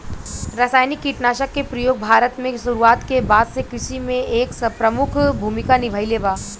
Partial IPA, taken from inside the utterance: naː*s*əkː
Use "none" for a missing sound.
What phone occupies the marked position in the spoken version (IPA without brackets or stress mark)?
ʃ